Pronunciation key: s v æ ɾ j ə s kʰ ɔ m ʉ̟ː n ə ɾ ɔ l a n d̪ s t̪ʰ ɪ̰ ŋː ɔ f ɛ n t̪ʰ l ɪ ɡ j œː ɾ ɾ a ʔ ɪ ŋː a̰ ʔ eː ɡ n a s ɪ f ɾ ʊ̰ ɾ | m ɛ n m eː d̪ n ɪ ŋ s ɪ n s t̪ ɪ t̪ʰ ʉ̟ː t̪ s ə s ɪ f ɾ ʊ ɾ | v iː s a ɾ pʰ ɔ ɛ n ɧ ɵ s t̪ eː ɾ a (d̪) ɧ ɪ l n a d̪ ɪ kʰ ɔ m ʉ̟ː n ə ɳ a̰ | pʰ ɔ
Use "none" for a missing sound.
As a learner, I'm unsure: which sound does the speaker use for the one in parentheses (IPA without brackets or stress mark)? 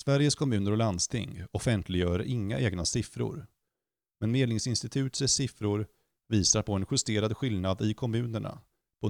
d̪